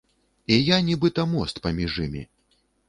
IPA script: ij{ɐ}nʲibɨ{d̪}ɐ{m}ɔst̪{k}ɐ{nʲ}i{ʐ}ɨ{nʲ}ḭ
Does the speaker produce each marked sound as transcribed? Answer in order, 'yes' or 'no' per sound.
no, no, yes, no, no, yes, no

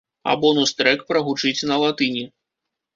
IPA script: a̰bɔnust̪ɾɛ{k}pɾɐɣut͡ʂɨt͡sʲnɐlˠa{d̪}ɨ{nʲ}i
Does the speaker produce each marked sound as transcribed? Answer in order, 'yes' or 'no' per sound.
yes, no, yes

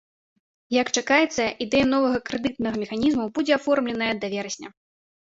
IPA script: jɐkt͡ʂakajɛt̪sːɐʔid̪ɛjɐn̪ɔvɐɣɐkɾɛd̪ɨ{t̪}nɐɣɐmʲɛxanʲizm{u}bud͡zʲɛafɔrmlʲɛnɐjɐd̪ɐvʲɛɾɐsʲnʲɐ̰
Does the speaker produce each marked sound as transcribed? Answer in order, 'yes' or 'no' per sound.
yes, yes

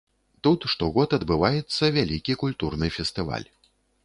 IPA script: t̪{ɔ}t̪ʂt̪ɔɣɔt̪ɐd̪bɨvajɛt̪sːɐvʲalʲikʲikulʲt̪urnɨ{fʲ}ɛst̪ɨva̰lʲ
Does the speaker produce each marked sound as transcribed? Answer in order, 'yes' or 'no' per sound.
no, yes

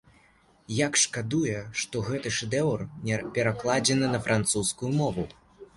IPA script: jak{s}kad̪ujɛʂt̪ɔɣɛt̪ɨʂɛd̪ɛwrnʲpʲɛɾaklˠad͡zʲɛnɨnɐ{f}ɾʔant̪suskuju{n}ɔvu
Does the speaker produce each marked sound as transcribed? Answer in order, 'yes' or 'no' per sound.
no, yes, no

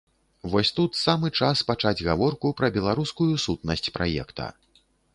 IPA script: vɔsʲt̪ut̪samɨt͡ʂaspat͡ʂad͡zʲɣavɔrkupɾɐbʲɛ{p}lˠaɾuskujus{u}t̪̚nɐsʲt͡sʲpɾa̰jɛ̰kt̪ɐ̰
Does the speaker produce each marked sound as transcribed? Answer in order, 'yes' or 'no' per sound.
no, yes

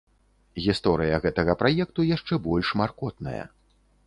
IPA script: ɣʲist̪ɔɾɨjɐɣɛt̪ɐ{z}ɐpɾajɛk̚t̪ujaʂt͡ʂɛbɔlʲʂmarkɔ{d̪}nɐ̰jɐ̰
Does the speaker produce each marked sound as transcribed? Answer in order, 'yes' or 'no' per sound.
no, no

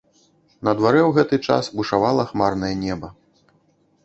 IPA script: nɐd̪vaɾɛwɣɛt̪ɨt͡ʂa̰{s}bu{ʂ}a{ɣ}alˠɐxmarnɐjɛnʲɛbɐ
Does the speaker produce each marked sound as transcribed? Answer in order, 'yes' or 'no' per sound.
yes, yes, no

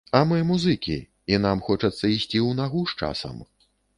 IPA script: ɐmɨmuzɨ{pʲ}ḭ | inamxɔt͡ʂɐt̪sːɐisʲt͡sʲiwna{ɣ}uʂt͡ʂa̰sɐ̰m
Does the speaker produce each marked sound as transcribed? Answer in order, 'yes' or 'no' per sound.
no, yes

